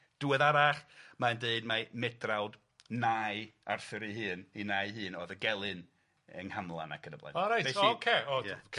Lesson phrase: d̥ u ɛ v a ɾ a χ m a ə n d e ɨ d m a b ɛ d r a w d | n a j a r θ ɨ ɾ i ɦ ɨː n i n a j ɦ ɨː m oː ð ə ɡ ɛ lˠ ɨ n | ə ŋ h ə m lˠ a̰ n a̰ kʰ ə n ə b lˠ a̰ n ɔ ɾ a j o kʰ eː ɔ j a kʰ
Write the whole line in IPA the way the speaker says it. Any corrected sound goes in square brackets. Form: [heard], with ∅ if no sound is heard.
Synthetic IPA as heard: d̥ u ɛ [ð] a ɾ a χ m a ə n d e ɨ d m a [m] ɛ d r a w d | n a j a r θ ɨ ɾ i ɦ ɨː n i n a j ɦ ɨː [n] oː ð ə ɡ ɛ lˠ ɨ n | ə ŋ h [a] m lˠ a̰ n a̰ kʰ ə n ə b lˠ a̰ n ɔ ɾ a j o kʰ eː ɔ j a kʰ